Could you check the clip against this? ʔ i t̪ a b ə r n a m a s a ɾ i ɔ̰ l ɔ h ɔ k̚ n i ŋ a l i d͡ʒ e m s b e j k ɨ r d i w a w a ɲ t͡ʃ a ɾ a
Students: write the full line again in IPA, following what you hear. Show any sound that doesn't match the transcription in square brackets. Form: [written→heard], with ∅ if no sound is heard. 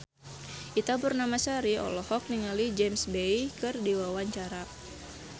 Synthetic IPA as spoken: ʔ i t̪ a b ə r n a m a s a ɾ i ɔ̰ l ɔ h ɔ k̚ n i ŋ a l i d͡ʒ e m s b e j k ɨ r d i w a w a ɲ t͡ʃ a ɾ a